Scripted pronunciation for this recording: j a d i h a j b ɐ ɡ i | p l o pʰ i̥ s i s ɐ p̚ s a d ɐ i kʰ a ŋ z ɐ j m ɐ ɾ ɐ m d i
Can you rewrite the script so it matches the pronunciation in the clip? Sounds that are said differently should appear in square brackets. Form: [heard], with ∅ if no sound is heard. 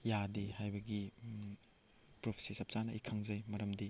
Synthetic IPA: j a d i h a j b ɐ ɡ i | p [ɾ] o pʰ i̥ s i s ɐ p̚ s a [n] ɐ i kʰ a ŋ z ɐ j m ɐ ɾ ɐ m d i